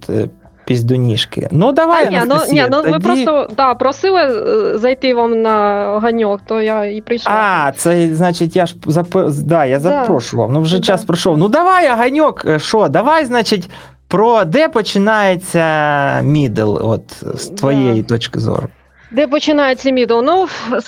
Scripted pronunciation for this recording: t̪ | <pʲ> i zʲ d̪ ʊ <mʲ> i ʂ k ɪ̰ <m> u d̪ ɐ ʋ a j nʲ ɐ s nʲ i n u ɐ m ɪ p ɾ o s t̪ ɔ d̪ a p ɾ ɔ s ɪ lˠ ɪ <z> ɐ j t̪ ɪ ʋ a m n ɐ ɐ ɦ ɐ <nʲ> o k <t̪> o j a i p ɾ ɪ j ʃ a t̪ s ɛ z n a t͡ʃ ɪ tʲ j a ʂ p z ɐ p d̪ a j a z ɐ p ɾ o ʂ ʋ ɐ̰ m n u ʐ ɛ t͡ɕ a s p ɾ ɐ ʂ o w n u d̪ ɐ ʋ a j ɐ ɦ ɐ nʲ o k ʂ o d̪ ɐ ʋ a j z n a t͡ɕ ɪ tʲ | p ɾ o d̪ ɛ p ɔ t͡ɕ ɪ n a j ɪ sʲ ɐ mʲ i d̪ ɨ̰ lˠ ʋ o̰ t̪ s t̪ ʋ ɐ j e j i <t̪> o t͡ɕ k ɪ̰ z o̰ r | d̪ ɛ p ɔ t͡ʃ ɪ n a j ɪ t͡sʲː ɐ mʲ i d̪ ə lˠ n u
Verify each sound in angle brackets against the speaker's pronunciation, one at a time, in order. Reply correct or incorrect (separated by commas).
correct, incorrect, incorrect, correct, correct, correct, correct